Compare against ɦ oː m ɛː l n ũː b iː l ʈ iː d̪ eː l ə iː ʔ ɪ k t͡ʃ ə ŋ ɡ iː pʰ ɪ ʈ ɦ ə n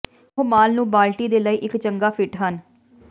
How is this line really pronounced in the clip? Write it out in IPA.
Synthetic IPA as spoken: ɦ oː m aː l n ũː b aː l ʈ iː d̪ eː l ə iː ʔ ɪ k t͡ʃ ə ŋ ɡ aː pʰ ɪ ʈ ɦ ə n